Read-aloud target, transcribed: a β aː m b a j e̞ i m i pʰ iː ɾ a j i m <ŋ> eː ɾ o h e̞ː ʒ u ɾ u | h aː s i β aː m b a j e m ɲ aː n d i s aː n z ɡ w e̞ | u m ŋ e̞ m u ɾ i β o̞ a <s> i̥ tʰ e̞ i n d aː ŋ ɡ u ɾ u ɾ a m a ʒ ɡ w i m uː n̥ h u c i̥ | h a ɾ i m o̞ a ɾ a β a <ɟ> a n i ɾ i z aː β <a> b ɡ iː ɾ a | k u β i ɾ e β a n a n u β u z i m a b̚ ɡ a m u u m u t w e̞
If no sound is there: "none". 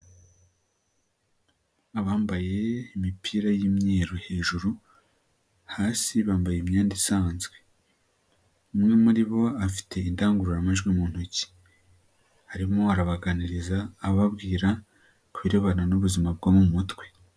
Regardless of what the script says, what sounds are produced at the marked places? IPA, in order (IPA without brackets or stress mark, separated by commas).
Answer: ɲ, f, ɡ, a